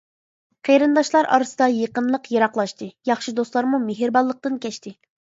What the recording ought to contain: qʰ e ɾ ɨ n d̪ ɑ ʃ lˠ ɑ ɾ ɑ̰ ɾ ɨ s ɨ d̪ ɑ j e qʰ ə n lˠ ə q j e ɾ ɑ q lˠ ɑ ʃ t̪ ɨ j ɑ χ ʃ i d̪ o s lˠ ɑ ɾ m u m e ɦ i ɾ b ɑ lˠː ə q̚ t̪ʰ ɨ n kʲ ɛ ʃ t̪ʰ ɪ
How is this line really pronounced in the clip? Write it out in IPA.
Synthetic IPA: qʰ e ɾ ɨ n d̪ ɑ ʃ lˠ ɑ ɾ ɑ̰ ɾ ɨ s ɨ d̪ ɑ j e q ə n lˠ ə q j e ɾ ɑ q lˠ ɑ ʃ t̪ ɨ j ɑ χ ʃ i d̪ o s lˠ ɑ ɾ m u m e ɦ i ɾ b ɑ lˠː ə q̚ t̪ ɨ n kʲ ɛ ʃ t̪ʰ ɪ